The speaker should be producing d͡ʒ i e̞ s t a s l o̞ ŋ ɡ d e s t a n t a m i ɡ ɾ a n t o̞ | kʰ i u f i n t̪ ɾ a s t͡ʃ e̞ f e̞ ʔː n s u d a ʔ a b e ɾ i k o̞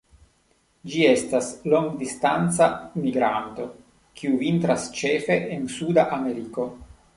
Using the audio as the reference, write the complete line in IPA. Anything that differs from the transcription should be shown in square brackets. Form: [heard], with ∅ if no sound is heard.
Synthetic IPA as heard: d͡ʒ i e̞ s t a s l o̞ ŋ ɡ d [i] s t a n [t͡s] a m i ɡ ɾ a n t o̞ | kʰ i u [v] i n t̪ ɾ a s t͡ʃ e̞ f e̞ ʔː n s u d a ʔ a [m] e ɾ i k o̞